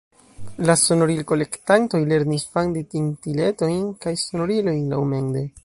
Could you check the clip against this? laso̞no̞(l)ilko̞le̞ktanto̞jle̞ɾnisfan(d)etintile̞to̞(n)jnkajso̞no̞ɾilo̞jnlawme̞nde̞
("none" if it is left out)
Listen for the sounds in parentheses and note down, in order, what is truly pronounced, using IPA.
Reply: ɾ, d, none

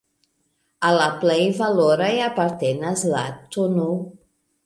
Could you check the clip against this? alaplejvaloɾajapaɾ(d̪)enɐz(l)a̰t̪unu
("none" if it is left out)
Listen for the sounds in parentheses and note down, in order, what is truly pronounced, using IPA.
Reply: t̪, l

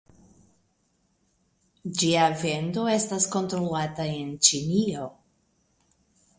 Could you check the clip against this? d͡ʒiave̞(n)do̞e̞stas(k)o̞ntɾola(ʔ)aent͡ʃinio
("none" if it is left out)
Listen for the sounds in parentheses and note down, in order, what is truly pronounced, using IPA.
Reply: n, k, t

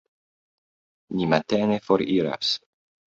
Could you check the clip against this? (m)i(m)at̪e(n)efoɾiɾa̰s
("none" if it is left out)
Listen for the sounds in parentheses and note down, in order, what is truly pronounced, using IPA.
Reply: n, m, n

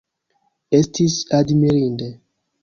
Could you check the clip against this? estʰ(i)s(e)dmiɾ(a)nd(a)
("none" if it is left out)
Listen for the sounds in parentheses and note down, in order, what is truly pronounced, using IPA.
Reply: i, a, i, e

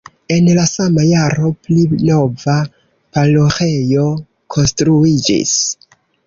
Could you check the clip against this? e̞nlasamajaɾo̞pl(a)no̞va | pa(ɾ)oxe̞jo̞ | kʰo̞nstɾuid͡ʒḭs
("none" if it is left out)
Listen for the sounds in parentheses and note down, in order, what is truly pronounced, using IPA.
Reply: i, l

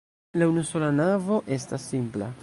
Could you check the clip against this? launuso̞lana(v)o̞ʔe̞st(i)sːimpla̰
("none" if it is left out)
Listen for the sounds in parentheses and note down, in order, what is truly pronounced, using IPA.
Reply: v, a

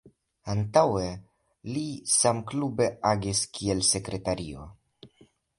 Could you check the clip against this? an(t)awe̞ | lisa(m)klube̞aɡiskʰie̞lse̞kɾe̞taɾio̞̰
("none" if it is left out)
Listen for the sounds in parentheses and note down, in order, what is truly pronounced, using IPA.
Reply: t, m

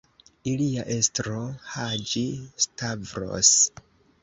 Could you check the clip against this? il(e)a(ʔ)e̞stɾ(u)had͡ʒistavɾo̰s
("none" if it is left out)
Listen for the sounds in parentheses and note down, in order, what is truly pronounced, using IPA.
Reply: i, ʔ, o

